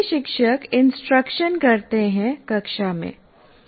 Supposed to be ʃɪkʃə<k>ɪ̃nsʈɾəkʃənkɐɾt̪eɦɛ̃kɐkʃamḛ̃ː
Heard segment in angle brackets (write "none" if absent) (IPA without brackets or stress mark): k